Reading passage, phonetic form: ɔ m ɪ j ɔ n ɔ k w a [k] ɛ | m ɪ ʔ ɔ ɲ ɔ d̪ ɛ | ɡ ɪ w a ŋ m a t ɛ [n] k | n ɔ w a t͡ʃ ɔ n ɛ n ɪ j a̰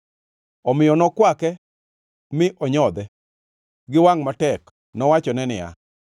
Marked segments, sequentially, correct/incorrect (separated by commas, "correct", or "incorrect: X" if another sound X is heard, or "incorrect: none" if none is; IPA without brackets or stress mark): correct, incorrect: none